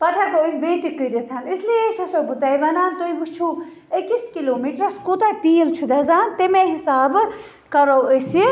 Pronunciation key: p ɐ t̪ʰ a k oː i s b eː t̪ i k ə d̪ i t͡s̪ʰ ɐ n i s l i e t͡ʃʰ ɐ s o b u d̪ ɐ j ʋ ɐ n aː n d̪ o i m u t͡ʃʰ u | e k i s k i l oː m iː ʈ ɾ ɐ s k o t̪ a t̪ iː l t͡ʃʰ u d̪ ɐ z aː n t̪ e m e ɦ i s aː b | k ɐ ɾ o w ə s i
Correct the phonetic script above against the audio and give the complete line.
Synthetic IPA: p ɐ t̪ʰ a k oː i s b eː t̪ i k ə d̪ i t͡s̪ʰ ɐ n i s l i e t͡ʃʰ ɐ s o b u t̪ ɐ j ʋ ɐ n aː n t̪ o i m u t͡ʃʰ u | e k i s k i l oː m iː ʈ ɾ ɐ s k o t̪ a t̪ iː l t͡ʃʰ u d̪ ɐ z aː n t̪ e m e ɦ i s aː b | k ɐ ɾ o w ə s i